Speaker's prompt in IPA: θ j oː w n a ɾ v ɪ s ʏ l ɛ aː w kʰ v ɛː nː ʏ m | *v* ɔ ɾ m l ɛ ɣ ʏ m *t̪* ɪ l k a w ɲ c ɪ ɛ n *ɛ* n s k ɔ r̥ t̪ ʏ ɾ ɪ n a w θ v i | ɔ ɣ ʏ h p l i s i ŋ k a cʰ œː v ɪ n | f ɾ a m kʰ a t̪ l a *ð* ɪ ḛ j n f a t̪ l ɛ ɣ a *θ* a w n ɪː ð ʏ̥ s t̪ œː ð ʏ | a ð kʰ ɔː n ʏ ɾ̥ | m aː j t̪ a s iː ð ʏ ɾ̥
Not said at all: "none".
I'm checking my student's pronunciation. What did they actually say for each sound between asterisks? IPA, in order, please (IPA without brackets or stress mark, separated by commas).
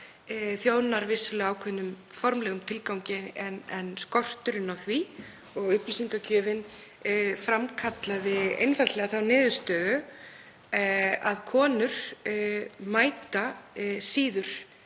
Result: f, t̪ʰ, ɛ, ð, θ